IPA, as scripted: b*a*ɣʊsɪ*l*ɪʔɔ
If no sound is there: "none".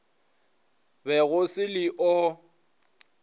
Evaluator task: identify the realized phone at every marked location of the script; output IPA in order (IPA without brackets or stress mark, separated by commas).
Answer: ɛ, l